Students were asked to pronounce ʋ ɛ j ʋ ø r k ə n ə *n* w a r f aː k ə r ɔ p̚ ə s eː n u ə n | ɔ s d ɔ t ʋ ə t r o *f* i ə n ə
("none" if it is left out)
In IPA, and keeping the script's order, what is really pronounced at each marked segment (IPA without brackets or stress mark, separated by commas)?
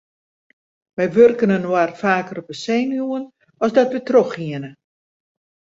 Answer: n, x